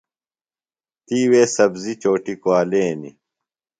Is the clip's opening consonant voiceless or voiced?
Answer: voiceless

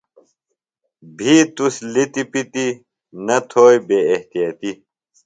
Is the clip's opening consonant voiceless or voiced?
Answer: voiced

